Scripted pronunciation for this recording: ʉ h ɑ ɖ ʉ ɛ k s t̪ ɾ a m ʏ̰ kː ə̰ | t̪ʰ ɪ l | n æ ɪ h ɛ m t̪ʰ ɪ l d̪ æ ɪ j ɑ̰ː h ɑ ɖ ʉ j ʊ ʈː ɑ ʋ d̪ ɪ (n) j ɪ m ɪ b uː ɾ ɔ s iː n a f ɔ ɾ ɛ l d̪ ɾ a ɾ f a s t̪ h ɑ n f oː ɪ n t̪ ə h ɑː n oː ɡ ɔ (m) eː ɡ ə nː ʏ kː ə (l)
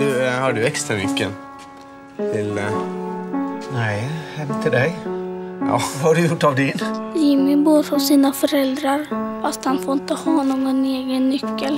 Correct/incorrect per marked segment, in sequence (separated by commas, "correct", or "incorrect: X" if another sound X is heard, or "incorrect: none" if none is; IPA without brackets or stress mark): correct, incorrect: n, correct